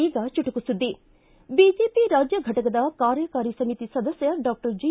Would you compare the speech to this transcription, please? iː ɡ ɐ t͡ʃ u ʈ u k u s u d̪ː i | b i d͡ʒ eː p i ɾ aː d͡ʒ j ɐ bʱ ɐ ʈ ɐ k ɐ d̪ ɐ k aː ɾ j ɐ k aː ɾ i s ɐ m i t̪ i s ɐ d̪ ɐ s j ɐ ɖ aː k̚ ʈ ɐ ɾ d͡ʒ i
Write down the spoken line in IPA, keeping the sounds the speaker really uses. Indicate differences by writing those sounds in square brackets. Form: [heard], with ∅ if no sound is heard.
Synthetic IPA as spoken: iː ɡ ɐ t͡ʃ u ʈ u k u s u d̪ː i | b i d͡ʒ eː p i ɾ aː d͡ʒ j ɐ [ɡʱ] ɐ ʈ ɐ k ɐ d̪ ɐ k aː ɾ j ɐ k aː ɾ i s ɐ m i t̪ i s ɐ d̪ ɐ s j ɐ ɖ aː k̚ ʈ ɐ ɾ d͡ʒ i